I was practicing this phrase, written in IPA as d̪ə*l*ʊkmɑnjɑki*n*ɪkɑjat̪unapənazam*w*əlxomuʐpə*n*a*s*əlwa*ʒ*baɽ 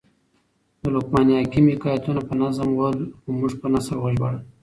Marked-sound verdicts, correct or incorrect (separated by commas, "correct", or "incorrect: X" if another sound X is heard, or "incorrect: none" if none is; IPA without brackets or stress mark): correct, incorrect: m, correct, correct, correct, correct